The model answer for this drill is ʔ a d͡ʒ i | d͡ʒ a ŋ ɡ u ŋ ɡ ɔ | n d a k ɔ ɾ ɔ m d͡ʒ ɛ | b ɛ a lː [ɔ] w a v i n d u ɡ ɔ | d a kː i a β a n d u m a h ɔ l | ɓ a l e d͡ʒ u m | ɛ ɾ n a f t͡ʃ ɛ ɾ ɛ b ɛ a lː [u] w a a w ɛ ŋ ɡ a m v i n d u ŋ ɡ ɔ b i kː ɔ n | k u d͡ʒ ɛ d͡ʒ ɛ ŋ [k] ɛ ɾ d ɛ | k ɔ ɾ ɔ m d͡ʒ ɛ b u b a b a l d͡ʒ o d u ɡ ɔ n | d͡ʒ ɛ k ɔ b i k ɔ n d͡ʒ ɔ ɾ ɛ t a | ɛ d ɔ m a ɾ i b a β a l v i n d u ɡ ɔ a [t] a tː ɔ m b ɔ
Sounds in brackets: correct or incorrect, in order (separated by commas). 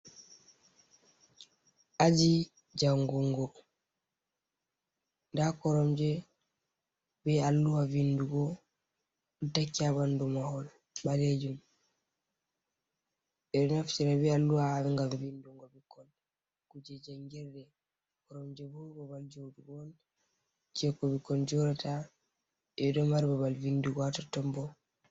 incorrect, correct, incorrect, correct